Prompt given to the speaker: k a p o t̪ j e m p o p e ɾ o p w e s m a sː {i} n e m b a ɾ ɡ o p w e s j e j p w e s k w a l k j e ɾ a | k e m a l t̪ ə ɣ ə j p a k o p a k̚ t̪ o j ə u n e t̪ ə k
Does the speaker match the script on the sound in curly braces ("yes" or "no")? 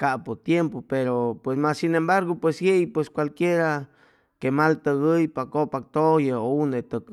yes